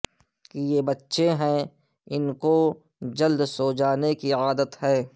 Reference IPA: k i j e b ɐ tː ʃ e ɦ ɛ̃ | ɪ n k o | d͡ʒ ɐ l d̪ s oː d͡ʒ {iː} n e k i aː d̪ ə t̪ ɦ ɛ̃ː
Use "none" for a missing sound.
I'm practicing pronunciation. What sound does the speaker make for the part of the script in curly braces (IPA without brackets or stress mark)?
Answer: aː